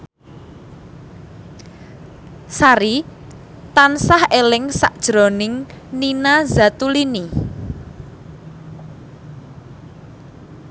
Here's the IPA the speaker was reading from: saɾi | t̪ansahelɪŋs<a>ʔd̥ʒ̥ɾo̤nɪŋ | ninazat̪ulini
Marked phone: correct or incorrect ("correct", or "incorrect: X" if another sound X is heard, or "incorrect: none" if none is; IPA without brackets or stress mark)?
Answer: correct